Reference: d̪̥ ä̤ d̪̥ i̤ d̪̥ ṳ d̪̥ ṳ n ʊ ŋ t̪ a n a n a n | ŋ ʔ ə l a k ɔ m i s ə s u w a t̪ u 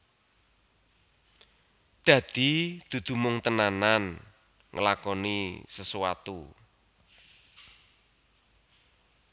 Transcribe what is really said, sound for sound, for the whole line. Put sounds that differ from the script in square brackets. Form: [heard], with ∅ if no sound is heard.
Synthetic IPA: d̪̥ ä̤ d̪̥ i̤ d̪̥ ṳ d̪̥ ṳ [m] ʊ ŋ t̪ [ə] n a n a n | ŋ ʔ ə l a k ɔ [n] i s ə s u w a t̪ u